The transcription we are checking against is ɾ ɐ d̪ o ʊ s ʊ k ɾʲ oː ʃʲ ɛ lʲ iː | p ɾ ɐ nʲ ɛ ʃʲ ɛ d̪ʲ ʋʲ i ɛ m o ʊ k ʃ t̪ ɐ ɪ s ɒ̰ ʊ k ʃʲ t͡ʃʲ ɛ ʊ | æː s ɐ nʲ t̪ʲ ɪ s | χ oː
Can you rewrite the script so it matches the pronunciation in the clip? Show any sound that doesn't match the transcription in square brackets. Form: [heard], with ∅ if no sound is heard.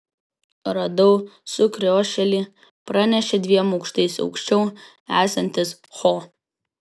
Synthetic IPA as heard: ɾ ɐ d̪ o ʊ s ʊ k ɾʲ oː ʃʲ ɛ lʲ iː | p ɾ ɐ nʲ ɛ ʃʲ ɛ d̪ʲ ʋʲ i ɛ m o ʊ k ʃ t̪ ɐ ɪ s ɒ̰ ʊ k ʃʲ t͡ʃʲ ɛ ʊ | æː s ɐ nʲ t̪ʲ ɪ s | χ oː

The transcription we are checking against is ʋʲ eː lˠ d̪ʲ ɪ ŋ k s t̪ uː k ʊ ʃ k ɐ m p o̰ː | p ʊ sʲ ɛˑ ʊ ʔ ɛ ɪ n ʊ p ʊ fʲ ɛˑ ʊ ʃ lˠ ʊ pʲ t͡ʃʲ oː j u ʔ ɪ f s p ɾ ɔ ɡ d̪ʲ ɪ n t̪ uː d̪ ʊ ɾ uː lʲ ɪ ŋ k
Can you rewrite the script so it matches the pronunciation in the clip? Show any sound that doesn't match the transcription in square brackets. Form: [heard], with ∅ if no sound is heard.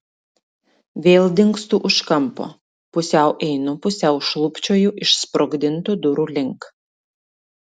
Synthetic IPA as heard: ʋʲ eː lˠ d̪ʲ ɪ ŋ k s t̪ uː [ʔ] ʊ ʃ k ɐ m p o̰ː | p ʊ sʲ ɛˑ ʊ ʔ ɛ ɪ n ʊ p ʊ [sʲ] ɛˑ ʊ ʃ lˠ ʊ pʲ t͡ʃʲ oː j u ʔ ɪ [ʃ] s p ɾ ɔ ɡ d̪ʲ ɪ n t̪ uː d̪ ʊ ɾ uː lʲ ɪ ŋ k

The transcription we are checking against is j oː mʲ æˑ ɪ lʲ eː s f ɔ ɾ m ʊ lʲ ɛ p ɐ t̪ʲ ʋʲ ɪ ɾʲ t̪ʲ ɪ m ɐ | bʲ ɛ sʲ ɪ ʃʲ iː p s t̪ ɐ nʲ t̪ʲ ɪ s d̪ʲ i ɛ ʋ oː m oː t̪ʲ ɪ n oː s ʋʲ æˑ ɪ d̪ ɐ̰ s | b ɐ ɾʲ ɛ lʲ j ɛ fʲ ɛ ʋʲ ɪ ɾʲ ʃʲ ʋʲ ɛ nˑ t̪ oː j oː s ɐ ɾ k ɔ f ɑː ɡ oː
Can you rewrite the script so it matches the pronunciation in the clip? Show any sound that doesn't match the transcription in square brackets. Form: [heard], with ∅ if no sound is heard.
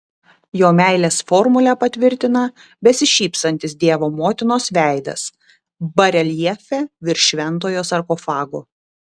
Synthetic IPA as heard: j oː mʲ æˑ ɪ lʲ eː s f ɔ ɾ m ʊ lʲ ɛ p ɐ t̪ʲ ʋʲ ɪ ɾʲ t̪ʲ ɪ [n] ɐ | bʲ ɛ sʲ ɪ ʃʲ iː p s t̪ ɐ nʲ t̪ʲ ɪ s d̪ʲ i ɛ ʋ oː m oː t̪ʲ ɪ n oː s ʋʲ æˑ ɪ d̪ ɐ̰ s | b ɐ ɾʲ ɛ lʲ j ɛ fʲ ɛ ʋʲ ɪ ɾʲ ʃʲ ʋʲ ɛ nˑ t̪ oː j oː s ɐ ɾ k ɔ f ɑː ɡ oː

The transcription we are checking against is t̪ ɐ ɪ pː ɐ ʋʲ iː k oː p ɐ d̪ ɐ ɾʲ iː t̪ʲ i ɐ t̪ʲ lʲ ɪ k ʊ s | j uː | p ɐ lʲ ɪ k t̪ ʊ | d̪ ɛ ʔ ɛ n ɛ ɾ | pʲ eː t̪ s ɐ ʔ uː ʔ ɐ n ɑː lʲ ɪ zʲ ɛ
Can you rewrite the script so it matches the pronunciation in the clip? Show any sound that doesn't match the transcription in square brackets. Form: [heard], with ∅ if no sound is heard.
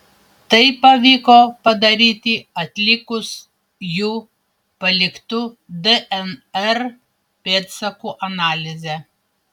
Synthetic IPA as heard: t̪ ɐ ɪ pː ɐ ʋʲ iː k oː p ɐ d̪ ɐ ɾʲ iː t̪ʲ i ɐ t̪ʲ lʲ ɪ k ʊ s | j uː | p ɐ lʲ ɪ k t̪ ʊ | d̪ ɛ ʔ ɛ n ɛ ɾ | pʲ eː t̪ s ɐ [k] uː ʔ ɐ n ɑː lʲ ɪ zʲ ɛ

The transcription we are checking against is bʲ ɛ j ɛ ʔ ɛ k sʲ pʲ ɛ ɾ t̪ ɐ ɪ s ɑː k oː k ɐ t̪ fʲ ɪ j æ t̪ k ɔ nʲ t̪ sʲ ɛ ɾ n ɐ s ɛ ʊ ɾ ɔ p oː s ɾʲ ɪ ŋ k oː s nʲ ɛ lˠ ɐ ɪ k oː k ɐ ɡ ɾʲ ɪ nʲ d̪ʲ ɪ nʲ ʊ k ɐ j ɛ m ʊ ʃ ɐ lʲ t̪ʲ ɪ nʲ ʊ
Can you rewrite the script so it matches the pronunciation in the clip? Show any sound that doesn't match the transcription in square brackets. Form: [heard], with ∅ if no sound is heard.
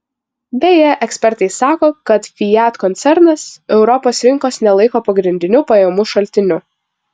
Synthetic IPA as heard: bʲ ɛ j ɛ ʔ ɛ k sʲ pʲ ɛ ɾ t̪ ɐ ɪ s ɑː k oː k ɐ t̪ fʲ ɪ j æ t̪ k ɔ nʲ t̪ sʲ ɛ ɾ n ɐ s ɛ ʊ ɾ ɔ p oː s ɾʲ ɪ ŋ k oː s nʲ ɛ lˠ ɐ ɪ k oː [p] ɐ ɡ ɾʲ ɪ nʲ d̪ʲ ɪ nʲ ʊ [p] ɐ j ɛ m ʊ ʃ ɐ lʲ t̪ʲ ɪ nʲ ʊ

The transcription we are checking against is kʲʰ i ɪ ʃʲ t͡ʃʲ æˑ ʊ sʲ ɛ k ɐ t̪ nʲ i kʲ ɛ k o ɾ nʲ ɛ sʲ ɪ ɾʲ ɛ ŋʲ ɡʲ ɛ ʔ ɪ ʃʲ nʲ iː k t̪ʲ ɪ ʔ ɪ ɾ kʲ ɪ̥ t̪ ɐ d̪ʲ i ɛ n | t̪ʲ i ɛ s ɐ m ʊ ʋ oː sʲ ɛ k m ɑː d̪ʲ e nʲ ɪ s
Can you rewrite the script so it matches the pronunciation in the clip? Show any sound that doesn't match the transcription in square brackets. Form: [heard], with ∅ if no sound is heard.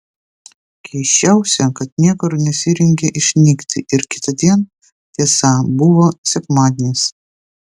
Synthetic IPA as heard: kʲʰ [ɛ] ɪ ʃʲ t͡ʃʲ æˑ ʊ sʲ ɛ k ɐ t̪ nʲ i [∅] ɛ k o ɾ nʲ ɛ sʲ ɪ ɾʲ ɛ ŋʲ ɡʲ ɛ ʔ ɪ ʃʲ nʲ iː k t̪ʲ ɪ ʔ ɪ ɾ kʲ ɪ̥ t̪ ɐ d̪ʲ i ɛ n | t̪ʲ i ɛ s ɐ [b] ʊ ʋ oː sʲ ɛ k m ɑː d̪ʲ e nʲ ɪ s

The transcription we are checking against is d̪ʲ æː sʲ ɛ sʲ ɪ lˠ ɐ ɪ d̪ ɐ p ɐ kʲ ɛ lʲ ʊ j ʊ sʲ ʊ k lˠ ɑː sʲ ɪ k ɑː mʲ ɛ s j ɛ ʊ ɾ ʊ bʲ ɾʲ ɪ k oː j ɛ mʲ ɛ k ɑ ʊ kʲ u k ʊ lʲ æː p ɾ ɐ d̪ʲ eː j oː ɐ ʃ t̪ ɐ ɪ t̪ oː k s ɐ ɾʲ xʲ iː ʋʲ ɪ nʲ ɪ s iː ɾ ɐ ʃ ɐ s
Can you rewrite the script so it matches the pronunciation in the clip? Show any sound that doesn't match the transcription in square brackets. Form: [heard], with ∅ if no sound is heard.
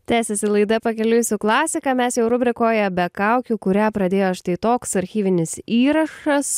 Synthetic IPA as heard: [t̪ʲ] æː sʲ ɛ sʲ ɪ lˠ ɐ ɪ d̪ ɐ p ɐ kʲ ɛ lʲ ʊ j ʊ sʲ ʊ k lˠ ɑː sʲ ɪ k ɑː mʲ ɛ s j ɛ ʊ ɾ ʊ bʲ ɾʲ ɪ k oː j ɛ [bʲ] ɛ k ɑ ʊ kʲ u k ʊ [ɾʲ] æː p ɾ ɐ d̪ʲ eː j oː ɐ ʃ t̪ ɐ ɪ t̪ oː k s ɐ ɾʲ xʲ iː ʋʲ ɪ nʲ ɪ s iː ɾ ɐ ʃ ɐ s

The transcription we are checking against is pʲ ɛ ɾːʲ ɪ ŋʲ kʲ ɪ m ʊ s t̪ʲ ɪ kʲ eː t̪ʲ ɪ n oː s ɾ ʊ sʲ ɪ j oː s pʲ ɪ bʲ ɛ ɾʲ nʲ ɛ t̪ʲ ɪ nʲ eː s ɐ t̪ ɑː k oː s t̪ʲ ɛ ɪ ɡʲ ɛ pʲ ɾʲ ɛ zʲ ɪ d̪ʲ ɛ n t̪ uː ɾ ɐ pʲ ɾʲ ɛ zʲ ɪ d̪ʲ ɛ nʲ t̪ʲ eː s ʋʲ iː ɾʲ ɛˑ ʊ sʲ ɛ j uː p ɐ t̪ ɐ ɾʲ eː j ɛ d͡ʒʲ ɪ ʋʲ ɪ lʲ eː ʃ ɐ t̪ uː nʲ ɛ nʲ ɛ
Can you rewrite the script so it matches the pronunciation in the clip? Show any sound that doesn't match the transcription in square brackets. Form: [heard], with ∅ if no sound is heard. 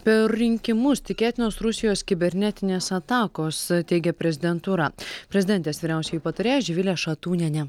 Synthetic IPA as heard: pʲ ɛ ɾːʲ ɪ ŋʲ kʲ ɪ m ʊ s t̪ʲ ɪ kʲ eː t̪ʲ ɪ n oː s ɾ ʊ sʲ ɪ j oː s [kʲ] ɪ bʲ ɛ ɾʲ nʲ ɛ t̪ʲ ɪ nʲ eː s ɐ t̪ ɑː k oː s t̪ʲ ɛ ɪ ɡʲ ɛ pʲ ɾʲ ɛ zʲ ɪ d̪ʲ ɛ n t̪ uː ɾ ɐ pʲ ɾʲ ɛ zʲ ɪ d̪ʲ ɛ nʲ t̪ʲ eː s ʋʲ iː ɾʲ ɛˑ ʊ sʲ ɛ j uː p ɐ t̪ ɐ ɾʲ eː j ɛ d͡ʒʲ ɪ ʋʲ ɪ lʲ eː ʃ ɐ t̪ uː nʲ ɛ nʲ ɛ

